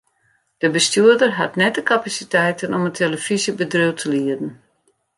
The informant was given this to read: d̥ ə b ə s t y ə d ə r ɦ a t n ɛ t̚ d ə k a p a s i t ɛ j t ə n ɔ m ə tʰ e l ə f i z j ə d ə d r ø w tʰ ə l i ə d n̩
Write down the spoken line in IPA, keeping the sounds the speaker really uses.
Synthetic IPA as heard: d̥ ə b ə s t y ə d ə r ɦ a t n ɛ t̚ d ə k a p a s i t ɛ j t ə n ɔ m ə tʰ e l ə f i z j ə b ə d r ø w tʰ ə l i ə d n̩